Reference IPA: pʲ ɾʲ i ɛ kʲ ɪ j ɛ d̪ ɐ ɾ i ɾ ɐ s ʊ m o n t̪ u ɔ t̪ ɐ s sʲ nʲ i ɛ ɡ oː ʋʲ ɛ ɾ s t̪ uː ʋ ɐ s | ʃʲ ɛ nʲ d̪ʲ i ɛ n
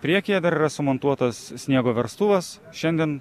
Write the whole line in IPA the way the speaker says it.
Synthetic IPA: pʲ ɾʲ i ɛ kʲ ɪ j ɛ d̪ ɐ ɾ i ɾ ɐ s ʊ m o n t̪ u ɔ t̪ ɐ s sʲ nʲ i ɛ ɡ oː ʋʲ ɛ ɾ s t̪ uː ʋ ɐ s | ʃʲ ɛ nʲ d̪ʲ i ɛ n